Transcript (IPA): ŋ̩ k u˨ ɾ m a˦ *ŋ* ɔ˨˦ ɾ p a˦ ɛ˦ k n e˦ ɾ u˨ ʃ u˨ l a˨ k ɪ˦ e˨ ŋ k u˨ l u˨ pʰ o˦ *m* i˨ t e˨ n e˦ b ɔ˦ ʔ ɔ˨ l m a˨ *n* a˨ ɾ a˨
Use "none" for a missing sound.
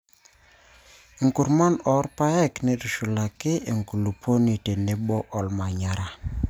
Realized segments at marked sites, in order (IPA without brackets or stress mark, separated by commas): n, n, ɲ